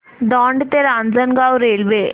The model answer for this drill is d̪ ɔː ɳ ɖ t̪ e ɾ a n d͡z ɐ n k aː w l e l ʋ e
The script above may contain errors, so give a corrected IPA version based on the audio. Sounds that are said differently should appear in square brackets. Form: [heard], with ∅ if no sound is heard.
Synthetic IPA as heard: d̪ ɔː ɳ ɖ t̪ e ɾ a n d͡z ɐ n [ɡ] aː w [ɾ] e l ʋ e